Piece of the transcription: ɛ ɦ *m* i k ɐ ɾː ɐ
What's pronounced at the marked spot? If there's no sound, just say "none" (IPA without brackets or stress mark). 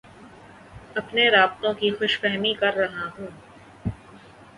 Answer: m